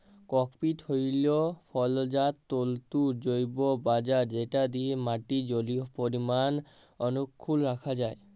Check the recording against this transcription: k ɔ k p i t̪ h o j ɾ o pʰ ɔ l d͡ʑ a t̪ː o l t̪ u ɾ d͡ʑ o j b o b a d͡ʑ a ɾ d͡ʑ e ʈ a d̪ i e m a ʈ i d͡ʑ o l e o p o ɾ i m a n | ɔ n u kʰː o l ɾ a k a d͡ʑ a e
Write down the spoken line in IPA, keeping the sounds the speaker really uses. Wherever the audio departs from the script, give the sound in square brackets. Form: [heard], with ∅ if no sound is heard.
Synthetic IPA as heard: k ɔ k p i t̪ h o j [l] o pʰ ɔ l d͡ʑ a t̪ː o l t̪ u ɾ d͡ʑ o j b o b a d͡ʑ a ɾ d͡ʑ e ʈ a d̪ i e m a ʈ i d͡ʑ o l [i] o p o ɾ i m a n | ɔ n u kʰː [u] l ɾ a [kʰ] a d͡ʑ a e